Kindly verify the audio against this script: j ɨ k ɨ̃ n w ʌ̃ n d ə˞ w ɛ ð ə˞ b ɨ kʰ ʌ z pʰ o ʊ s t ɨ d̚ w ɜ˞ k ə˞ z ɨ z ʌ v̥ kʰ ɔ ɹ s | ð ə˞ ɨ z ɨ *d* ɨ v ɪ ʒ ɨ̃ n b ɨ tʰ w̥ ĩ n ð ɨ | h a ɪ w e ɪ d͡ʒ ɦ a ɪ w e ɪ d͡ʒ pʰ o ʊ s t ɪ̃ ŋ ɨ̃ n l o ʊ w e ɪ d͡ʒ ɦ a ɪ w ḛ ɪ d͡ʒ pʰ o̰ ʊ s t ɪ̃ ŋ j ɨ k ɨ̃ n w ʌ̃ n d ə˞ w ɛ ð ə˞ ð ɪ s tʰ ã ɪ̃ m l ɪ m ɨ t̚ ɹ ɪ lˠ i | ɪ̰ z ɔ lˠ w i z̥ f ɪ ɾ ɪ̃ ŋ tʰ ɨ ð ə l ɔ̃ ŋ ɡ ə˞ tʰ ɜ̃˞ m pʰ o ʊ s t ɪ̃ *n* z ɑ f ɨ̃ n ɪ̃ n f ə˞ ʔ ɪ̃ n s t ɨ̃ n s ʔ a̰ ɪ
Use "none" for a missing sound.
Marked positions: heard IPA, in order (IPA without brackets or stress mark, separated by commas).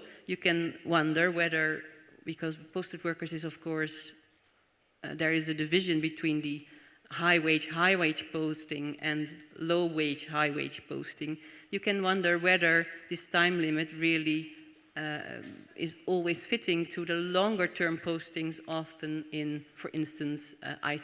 d, ŋ